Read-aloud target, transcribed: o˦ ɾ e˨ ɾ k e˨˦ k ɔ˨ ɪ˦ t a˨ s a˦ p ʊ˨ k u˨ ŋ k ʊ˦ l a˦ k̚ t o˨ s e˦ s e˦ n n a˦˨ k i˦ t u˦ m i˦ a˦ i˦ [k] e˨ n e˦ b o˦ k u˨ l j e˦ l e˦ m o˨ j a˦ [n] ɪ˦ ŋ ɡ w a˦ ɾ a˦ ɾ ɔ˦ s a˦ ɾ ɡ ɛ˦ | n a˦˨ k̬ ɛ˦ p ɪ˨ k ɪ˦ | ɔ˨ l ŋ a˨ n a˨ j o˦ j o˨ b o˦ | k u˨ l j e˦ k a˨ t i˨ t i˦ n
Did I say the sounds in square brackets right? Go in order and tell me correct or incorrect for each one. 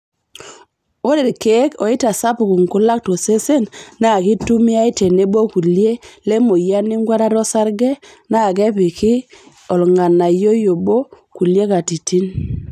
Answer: incorrect: t, correct

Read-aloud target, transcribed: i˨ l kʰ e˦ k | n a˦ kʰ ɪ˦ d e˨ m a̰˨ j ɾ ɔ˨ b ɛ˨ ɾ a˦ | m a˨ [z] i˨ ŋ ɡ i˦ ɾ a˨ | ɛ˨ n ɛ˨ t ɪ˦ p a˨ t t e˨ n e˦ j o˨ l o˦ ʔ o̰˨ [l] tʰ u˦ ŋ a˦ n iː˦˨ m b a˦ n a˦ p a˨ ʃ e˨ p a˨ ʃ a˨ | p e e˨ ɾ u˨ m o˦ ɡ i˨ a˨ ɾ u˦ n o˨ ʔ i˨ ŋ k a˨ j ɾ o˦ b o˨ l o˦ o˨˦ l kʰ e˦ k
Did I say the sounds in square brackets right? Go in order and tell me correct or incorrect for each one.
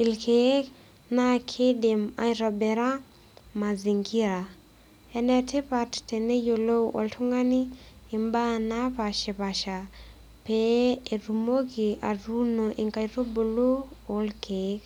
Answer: correct, correct

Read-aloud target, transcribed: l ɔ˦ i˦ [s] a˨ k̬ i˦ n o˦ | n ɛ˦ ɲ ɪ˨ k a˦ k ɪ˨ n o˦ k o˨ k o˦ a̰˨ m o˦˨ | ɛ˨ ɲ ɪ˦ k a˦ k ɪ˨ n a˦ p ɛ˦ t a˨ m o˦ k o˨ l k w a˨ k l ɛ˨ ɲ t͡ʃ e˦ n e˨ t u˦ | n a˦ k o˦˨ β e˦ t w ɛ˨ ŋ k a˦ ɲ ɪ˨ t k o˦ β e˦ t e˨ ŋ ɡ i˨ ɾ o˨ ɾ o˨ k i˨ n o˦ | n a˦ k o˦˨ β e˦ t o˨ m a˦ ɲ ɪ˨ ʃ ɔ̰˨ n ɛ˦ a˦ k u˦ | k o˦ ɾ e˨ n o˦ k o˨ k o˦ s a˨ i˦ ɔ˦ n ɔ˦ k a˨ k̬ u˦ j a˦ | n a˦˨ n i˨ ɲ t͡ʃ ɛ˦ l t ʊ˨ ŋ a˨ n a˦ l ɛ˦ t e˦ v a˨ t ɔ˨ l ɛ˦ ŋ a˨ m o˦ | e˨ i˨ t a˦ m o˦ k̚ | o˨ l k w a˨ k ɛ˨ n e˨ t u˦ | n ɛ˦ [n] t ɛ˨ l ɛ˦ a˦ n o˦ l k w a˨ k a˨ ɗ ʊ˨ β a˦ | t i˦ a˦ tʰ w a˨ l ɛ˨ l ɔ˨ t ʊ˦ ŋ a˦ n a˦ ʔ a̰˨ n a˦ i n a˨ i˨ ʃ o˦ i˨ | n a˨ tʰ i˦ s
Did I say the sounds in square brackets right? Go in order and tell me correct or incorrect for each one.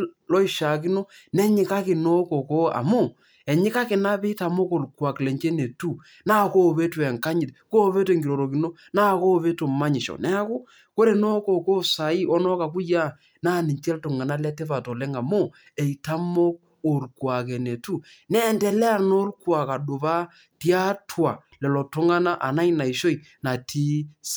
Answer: incorrect: ʃ, correct

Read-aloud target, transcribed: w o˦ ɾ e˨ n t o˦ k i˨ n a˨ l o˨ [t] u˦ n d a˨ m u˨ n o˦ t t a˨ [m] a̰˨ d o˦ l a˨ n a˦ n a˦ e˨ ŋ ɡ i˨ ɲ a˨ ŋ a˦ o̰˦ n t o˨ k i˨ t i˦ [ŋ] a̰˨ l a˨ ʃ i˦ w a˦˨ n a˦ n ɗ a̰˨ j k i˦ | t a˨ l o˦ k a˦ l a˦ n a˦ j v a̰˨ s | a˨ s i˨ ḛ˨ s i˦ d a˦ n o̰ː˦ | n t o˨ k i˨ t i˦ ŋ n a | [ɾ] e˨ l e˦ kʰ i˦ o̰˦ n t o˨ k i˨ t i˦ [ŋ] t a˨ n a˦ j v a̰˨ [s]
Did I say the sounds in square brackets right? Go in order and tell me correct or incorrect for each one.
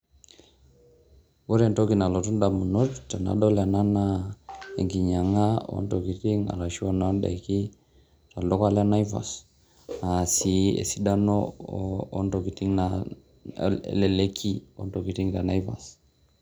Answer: correct, incorrect: n, correct, incorrect: l, correct, correct

